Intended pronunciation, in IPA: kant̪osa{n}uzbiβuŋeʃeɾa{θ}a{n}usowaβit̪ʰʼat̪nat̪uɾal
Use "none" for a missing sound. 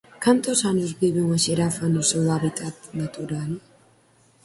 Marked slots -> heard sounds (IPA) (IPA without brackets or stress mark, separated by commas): n, f, n